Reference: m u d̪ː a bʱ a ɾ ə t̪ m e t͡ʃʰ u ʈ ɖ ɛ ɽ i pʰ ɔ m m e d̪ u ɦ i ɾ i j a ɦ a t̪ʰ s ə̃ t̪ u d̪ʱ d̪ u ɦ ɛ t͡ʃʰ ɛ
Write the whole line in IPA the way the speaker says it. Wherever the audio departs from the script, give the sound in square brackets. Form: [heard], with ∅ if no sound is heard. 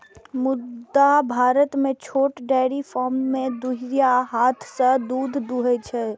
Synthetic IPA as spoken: m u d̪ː a bʱ a ɾ ə t̪ m e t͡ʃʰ [o] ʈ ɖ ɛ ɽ i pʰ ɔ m m e d̪ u ɦ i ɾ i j a ɦ a t̪ʰ s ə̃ [d̪] u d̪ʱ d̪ u ɦ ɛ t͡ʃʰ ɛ